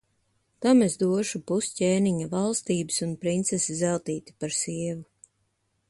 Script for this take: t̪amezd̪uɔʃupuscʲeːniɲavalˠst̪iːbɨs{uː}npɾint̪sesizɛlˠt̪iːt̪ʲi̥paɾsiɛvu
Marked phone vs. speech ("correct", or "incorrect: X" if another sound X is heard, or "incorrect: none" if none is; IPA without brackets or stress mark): incorrect: u